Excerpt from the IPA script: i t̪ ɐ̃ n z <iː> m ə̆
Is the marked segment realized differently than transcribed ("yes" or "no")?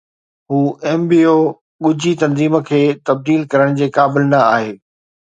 no